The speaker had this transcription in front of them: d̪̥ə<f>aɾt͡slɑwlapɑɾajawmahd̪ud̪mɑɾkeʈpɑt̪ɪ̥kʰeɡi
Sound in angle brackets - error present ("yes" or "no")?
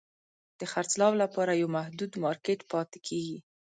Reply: yes